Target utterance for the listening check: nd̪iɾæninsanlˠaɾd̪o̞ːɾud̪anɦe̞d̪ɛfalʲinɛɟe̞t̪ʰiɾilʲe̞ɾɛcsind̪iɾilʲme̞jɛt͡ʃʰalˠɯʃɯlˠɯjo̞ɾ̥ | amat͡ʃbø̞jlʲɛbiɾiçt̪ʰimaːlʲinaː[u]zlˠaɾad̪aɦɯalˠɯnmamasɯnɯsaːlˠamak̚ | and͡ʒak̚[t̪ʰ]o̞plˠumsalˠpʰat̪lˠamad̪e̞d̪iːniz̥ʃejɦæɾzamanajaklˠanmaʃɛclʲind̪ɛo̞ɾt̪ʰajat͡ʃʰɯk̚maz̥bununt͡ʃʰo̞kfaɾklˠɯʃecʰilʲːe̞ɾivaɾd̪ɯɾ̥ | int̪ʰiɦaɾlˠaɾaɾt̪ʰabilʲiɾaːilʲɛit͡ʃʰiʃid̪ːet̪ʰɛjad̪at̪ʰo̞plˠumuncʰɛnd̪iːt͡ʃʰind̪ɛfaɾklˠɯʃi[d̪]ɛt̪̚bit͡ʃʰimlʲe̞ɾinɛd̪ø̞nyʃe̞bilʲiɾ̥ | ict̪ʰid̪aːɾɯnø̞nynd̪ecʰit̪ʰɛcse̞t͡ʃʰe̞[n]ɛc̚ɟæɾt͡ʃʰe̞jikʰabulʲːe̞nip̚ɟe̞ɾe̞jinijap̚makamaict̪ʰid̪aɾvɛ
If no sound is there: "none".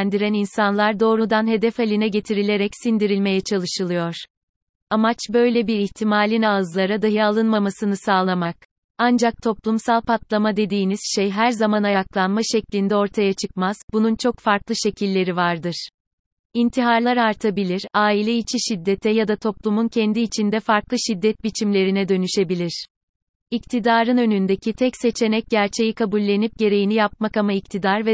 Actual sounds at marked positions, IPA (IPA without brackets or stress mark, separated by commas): ɯ, t̪ʰ, d̪ː, n